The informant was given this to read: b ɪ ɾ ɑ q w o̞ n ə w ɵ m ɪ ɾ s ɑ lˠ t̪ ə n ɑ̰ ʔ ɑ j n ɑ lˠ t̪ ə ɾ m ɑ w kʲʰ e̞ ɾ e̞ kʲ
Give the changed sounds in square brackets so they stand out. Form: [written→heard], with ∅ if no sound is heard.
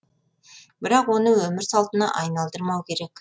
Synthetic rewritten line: b ɪ ɾ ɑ q w o̞ n ə w ɵ m ɪ ɾ s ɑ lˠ t̪ ə n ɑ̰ ʔ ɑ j n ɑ lˠ [t̪→d̪] ə ɾ m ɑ w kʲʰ e̞ ɾ e̞ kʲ

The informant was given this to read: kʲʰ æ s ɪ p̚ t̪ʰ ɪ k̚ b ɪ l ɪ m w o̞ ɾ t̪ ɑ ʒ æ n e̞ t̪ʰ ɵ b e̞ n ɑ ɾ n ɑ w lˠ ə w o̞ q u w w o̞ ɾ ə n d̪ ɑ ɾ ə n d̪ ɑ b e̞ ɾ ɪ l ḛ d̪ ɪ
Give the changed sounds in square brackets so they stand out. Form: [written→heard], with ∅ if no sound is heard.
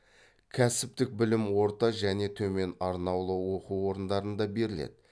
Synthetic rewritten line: kʲʰ æ s ɪ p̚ [t̪ʰ→t̪] ɪ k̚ b ɪ l ɪ m w o̞ ɾ t̪ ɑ ʒ æ n e̞ t̪ʰ ɵ [b→m] e̞ n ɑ ɾ n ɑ w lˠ ə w o̞ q u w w o̞ ɾ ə n d̪ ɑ ɾ ə n d̪ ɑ b e̞ ɾ ɪ l ḛ d̪ ɪ

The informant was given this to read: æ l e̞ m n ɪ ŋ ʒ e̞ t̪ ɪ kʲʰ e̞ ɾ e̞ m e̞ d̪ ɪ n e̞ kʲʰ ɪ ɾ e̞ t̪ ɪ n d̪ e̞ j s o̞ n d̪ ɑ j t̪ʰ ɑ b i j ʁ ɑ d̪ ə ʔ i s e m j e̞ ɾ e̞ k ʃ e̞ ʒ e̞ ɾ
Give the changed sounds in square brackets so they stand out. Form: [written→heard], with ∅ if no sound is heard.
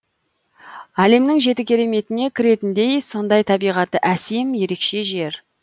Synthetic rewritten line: æ l e̞ m n ɪ ŋ ʒ e̞ t̪ ɪ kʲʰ e̞ ɾ e̞ m e̞ [d̪→t̪] ɪ n e̞ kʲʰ ɪ ɾ e̞ t̪ ɪ n d̪ e̞ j s o̞ n d̪ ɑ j t̪ʰ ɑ b i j ʁ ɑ [d̪→t̪] ə ʔ [i→æ] s e m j e̞ ɾ e̞ k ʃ e̞ ʒ e̞ ɾ

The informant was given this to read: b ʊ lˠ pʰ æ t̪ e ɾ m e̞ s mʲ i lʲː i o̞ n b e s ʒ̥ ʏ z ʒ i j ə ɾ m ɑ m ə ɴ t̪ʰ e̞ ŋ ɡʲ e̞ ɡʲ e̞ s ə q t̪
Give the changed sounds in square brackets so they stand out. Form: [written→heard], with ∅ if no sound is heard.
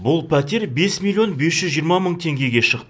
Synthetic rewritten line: b ʊ lˠ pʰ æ t̪ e ɾ [m→b] e̞ s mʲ i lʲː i o̞ n b e s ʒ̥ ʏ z ʒ i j ə ɾ m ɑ m ə ɴ t̪ʰ e̞ ŋ ɡʲ e̞ ɡʲ e̞ [s→ʃ] ə q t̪

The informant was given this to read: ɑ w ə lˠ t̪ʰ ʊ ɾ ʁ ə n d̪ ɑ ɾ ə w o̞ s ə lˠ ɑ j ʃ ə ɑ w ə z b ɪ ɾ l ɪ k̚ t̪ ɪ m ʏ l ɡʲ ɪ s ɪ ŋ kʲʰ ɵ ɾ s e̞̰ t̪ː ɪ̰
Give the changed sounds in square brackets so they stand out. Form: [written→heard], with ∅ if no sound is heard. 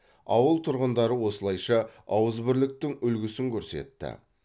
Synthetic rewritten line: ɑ w ə lˠ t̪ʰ ʊ ɾ ʁ ə n d̪ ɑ ɾ ə w o̞ s ə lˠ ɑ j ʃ [ə→ɑ] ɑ w ə z b ɪ ɾ l ɪ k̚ t̪ ɪ [m→ŋ] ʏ l ɡʲ ɪ s ɪ ŋ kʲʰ ɵ ɾ s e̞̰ t̪ː ɪ̰

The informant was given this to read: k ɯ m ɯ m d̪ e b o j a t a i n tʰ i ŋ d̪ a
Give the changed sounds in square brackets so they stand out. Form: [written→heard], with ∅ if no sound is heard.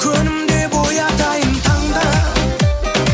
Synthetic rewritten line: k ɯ [m→n] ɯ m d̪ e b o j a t a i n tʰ [i→a] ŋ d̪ a

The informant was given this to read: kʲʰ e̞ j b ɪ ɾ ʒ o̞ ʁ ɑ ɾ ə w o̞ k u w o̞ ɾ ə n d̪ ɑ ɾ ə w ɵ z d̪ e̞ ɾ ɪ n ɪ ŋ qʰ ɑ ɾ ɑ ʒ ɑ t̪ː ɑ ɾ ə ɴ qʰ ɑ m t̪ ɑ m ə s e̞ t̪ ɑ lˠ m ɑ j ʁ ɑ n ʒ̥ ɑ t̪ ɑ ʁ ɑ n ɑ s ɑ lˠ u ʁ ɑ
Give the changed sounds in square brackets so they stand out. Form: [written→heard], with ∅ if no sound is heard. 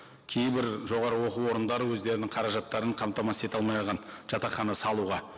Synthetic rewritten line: kʲʰ e̞ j b ɪ ɾ ʒ o̞ ʁ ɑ ɾ ə w o̞ [k→q] u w o̞ ɾ ə n d̪ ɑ ɾ ə w ɵ z d̪ e̞ ɾ ɪ n ɪ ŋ qʰ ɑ ɾ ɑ ʒ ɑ t̪ː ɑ ɾ ə ɴ qʰ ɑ m t̪ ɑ m [ə→ɑ] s e̞ t̪ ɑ lˠ m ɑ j ʁ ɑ n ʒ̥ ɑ t̪ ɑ [ʁ→χ] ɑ n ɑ s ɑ lˠ u ʁ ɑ

